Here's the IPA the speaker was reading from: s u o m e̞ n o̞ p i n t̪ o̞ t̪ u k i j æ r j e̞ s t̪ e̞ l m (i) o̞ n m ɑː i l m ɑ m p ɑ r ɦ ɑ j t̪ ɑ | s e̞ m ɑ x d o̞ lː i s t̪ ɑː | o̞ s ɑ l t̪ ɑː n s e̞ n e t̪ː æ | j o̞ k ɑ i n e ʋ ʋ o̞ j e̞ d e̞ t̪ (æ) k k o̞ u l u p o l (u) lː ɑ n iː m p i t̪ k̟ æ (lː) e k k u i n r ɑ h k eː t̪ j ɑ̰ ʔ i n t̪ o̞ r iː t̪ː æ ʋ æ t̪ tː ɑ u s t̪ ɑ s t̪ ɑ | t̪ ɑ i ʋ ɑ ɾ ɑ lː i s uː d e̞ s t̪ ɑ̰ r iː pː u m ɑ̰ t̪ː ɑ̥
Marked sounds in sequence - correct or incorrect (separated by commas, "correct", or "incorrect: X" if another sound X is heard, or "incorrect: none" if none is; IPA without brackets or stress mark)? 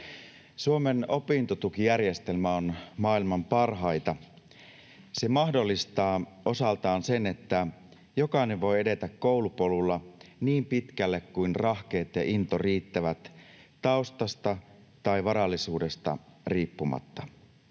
incorrect: æ, correct, correct, correct